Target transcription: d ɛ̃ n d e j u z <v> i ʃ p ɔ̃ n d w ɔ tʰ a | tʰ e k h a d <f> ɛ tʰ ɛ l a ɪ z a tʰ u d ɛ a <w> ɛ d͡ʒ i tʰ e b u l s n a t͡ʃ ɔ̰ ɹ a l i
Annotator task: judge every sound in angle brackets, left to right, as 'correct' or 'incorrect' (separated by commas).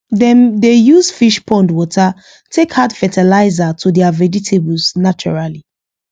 incorrect, correct, incorrect